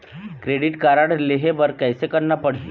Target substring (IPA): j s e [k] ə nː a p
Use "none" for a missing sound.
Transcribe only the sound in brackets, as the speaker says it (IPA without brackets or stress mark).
k